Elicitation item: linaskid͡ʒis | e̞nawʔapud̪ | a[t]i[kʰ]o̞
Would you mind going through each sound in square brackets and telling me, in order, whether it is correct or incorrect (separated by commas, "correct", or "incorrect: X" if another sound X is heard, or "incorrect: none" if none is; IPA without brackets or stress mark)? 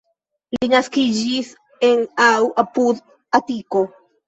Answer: correct, incorrect: k